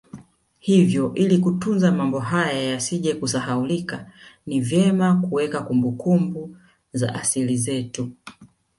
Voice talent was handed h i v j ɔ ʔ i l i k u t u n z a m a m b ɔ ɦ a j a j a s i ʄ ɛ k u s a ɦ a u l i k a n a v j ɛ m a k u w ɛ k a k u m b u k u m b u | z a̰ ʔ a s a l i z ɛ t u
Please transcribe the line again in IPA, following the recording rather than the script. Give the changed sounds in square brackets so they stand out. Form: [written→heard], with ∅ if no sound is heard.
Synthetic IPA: h i v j ɔ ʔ i l i k u t u n z a m a m b ɔ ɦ a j a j a s i ʄ ɛ k u s a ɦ a u l i k a n [a→i] v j ɛ m a k u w ɛ k a k u m b u k u m b u | z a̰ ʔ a s [a→i] l i z ɛ t u